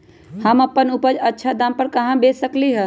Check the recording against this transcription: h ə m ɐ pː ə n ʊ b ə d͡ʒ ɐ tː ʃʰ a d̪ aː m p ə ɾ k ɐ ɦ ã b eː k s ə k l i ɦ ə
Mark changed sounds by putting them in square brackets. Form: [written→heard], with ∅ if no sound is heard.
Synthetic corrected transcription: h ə m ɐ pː ə n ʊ [b→p] ə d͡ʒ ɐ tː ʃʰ a d̪ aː m p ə ɾ k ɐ ɦ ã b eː [k→∅] s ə k l i ɦ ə